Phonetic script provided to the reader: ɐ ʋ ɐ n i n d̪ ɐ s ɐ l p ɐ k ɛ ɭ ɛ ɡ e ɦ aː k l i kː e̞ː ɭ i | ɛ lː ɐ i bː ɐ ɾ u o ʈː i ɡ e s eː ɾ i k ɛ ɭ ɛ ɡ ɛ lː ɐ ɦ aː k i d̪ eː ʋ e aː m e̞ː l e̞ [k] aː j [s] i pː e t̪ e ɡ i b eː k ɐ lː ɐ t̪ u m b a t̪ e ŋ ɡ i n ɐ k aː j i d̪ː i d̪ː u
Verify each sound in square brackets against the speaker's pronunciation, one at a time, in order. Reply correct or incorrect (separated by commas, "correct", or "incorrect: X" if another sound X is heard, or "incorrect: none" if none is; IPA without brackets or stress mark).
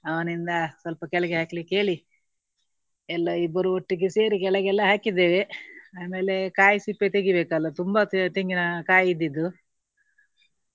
correct, correct